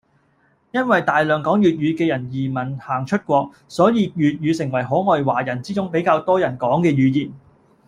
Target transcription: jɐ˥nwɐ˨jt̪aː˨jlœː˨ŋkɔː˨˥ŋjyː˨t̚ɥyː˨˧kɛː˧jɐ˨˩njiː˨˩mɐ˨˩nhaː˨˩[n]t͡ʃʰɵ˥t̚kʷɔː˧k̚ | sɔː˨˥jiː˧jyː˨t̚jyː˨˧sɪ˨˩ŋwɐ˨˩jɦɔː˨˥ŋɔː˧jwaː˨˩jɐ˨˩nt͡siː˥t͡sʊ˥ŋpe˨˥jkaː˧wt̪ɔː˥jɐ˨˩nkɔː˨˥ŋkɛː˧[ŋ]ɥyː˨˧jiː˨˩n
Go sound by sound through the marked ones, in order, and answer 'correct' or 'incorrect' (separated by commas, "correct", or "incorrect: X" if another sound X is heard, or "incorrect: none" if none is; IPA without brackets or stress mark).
incorrect: ŋ, incorrect: none